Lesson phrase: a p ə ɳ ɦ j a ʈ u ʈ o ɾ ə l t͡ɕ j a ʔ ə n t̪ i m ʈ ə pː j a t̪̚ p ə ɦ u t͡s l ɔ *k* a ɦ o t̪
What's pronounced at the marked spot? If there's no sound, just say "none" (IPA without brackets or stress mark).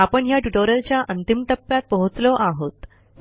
ʔ